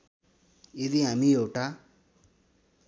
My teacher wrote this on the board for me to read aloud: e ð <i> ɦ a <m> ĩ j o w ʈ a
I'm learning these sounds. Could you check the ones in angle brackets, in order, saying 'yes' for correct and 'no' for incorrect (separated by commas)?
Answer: yes, yes